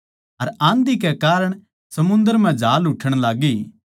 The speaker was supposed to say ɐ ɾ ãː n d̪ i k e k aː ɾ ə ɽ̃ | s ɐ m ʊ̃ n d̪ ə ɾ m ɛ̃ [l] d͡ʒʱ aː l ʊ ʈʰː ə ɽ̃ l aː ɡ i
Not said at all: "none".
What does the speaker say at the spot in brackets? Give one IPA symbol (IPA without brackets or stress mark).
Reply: none